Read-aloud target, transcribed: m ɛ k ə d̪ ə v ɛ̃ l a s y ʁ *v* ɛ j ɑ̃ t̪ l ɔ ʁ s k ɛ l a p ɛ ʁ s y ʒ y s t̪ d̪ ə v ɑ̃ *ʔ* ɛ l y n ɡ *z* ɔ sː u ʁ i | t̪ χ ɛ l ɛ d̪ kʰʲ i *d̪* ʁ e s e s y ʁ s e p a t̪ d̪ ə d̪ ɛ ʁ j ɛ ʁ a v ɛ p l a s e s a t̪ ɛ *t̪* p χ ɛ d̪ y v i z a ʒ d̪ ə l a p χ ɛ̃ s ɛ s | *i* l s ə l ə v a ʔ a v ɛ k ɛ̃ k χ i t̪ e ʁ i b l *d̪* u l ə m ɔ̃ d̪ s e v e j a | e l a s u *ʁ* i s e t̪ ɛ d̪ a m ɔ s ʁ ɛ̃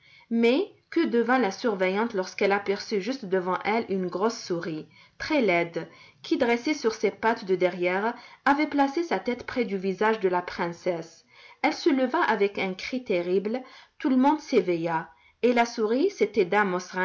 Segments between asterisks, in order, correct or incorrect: correct, correct, incorrect: ʁ, correct, correct, incorrect: ɛ, incorrect: t̪, correct

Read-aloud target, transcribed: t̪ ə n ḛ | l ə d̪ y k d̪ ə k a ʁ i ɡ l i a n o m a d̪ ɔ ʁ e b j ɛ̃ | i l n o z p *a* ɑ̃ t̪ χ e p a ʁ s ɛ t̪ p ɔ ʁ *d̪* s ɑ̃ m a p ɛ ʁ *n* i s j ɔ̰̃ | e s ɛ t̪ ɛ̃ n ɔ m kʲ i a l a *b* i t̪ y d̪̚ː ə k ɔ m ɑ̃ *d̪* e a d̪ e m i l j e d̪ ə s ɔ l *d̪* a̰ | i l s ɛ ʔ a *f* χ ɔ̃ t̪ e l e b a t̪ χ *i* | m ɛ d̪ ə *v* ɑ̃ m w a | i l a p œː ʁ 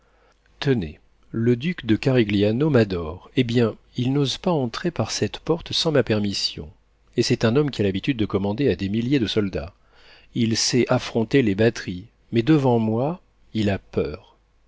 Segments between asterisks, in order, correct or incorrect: correct, incorrect: t̪, incorrect: m, correct, correct, correct, correct, correct, correct

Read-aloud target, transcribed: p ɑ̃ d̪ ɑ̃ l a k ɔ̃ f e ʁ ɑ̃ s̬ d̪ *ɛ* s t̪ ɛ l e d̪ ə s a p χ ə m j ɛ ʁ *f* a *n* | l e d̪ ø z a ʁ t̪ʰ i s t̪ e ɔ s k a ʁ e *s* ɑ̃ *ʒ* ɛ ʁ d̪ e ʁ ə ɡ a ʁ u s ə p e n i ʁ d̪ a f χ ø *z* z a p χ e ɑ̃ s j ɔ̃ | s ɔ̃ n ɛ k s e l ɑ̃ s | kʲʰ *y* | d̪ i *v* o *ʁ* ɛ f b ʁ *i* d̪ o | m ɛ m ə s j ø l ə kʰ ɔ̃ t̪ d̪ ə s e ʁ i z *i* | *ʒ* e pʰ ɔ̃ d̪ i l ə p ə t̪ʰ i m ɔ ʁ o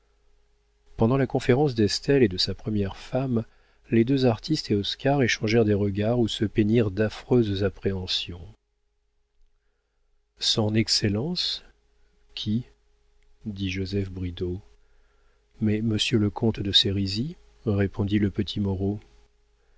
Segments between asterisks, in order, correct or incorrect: correct, correct, incorrect: m, incorrect: ʃ, correct, correct, incorrect: i, incorrect: ʒ, incorrect: z, correct, correct, incorrect: ʁ

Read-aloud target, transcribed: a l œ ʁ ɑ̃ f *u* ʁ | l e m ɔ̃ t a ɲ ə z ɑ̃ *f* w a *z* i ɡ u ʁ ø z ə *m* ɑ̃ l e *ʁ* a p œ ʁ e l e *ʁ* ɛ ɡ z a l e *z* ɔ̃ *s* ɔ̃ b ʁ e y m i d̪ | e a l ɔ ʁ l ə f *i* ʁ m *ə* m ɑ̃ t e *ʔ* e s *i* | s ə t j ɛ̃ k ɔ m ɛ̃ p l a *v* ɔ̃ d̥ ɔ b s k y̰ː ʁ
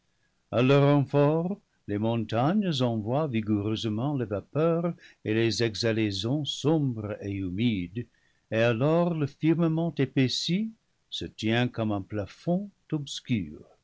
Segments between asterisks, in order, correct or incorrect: incorrect: ɔ, incorrect: v, incorrect: v, correct, incorrect: v, incorrect: z, correct, correct, correct, correct, incorrect: p, correct, incorrect: f

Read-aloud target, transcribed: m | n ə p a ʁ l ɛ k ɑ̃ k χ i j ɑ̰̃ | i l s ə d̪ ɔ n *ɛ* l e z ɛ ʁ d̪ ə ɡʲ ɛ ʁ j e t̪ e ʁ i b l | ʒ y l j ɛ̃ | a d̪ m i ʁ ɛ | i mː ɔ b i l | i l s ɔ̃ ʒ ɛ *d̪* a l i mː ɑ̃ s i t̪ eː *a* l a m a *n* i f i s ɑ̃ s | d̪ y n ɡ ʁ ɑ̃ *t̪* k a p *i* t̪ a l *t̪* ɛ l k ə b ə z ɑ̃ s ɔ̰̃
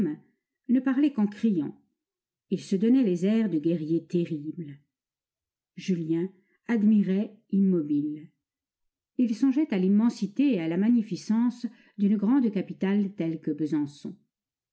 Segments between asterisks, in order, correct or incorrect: correct, incorrect: t̪, correct, incorrect: ɲ, incorrect: d̪, correct, correct

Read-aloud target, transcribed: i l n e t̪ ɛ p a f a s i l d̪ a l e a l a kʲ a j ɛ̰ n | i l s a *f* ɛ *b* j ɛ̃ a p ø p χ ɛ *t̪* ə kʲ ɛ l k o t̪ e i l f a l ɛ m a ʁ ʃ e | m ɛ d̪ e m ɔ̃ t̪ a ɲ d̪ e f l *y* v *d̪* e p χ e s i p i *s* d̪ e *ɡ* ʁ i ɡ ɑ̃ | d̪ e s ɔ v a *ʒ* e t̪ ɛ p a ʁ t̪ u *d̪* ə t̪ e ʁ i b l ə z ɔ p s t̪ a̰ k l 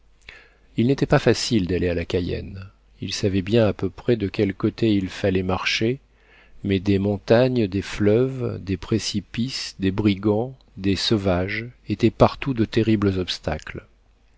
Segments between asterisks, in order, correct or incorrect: incorrect: v, correct, incorrect: d̪, incorrect: œ, correct, correct, incorrect: b, correct, correct

